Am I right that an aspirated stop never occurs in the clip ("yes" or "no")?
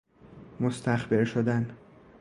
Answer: yes